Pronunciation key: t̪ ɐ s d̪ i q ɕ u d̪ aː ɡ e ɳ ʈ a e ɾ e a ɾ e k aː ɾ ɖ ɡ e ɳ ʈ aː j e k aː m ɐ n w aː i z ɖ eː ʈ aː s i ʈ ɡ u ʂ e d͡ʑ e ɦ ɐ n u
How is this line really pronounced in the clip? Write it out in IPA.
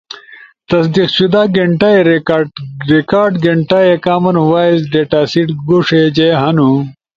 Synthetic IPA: t̪ ɐ s d̪ i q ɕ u d̪ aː ɡ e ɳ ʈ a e ɾ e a ɾ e k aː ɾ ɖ ɡ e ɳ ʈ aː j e k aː m ɐ n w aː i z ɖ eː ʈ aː s i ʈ ɡ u ʂ e d͡ʑ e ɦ ɐ n u